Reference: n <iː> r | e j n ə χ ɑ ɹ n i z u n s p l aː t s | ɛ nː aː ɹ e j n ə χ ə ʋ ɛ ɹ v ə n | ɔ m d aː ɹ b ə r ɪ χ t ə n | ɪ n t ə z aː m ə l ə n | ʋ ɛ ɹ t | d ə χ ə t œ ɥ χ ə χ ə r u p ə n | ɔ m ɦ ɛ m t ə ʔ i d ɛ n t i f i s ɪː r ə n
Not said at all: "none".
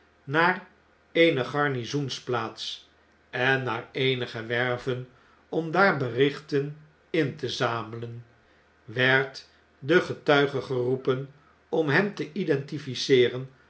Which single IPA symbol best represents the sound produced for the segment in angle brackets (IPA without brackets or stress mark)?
aː